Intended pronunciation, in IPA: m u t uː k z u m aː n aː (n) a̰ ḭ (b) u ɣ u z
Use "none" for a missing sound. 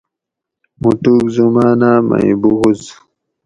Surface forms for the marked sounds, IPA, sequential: m, b

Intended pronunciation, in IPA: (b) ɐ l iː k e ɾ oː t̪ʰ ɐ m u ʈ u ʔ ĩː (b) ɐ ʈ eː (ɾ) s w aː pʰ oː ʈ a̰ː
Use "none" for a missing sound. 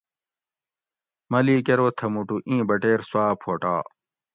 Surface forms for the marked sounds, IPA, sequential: m, b, ɾ

